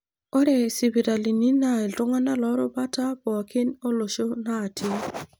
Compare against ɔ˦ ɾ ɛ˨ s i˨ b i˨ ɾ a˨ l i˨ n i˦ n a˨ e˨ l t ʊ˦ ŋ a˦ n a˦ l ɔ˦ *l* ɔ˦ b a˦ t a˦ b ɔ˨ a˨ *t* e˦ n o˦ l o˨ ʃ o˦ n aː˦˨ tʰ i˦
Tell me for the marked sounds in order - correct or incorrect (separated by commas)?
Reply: incorrect, incorrect